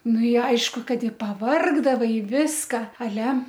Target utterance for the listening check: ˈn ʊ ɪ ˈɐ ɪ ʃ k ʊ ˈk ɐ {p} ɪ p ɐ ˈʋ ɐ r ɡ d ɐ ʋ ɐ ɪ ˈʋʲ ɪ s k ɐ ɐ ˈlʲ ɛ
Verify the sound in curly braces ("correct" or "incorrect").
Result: incorrect